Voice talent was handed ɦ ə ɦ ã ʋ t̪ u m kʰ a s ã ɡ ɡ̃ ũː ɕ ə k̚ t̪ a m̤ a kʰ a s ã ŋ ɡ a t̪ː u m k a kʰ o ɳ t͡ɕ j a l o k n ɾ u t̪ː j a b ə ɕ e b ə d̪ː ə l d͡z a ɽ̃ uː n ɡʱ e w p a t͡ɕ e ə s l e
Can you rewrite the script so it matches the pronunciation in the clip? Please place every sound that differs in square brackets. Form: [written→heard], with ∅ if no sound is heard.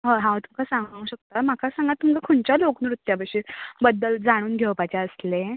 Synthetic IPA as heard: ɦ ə ɦ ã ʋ t̪ u m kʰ a s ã [ɡ→ŋ] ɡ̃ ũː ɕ ə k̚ t̪ a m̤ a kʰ a s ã ŋ ɡ a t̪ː u m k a kʰ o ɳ t͡ɕ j a l o k n ɾ u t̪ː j a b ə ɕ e b ə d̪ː ə l d͡z a ɽ̃ uː n ɡʱ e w p a t͡ɕ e ə s l e